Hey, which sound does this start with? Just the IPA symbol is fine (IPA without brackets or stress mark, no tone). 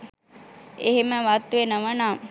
e